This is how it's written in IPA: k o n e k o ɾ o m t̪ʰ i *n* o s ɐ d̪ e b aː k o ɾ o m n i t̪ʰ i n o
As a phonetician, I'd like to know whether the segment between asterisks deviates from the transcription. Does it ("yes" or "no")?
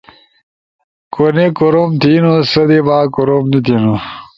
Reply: no